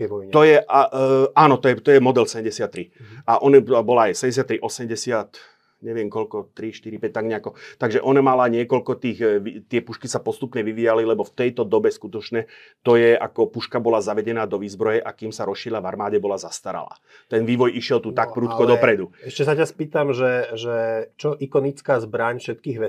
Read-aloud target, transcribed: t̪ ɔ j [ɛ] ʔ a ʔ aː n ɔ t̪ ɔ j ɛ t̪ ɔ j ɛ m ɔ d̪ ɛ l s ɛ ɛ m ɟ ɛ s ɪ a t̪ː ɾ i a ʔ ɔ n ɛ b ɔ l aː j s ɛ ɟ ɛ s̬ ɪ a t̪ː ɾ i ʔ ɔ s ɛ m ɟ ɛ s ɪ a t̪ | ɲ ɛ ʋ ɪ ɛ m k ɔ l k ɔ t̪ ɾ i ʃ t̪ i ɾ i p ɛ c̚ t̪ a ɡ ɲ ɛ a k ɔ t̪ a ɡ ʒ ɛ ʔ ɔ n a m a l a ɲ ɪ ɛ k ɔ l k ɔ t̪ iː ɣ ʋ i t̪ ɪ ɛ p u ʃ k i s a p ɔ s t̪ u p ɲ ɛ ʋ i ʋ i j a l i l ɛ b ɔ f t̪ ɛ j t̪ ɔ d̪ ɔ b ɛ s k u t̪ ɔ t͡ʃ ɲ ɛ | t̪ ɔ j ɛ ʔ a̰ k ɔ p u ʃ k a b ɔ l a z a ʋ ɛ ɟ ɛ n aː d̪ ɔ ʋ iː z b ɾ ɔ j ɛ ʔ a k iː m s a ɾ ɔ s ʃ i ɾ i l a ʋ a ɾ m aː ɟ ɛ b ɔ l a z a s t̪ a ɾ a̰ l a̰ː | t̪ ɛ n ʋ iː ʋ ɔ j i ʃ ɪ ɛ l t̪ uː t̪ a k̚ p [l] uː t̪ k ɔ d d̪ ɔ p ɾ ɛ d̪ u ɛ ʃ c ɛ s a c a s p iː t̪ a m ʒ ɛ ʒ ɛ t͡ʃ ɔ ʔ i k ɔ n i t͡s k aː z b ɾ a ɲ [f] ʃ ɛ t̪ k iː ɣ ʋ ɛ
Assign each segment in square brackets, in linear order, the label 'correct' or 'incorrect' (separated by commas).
correct, incorrect, correct